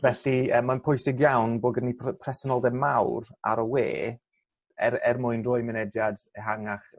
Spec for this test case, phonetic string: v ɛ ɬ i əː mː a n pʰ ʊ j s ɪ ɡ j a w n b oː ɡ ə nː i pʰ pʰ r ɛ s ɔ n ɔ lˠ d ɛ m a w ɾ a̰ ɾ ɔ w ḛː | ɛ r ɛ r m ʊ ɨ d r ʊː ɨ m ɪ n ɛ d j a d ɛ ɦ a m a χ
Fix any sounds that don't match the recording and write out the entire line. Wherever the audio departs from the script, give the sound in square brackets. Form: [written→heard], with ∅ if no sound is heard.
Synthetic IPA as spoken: v ɛ ɬ i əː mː a n pʰ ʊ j s ɪ ɡ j a w n b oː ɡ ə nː i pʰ pʰ r ɛ s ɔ n ɔ lˠ d ɛ m a w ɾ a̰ ɾ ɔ w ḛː | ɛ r ɛ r m ʊ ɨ [d→n] r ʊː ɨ m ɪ n ɛ d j a d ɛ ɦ a [m→ŋ] a χ